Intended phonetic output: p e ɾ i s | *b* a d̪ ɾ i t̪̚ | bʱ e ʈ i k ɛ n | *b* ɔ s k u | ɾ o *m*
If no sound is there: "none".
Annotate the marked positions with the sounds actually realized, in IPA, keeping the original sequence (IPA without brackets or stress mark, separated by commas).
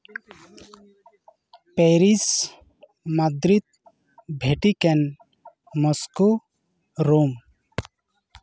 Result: m, m, m